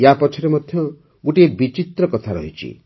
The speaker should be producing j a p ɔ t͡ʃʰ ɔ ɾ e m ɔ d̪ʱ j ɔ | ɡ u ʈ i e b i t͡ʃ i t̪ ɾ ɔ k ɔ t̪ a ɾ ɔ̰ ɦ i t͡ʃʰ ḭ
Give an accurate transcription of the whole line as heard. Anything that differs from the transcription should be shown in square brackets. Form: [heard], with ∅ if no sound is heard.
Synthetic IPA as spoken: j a p ɔ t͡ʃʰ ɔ ɾ e m ɔ d̪ʱ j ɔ | ɡ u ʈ i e b i t͡ʃ i t̪ ɾ ɔ k ɔ [t̪ʰ] a ɾ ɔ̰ ɦ i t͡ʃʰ ḭ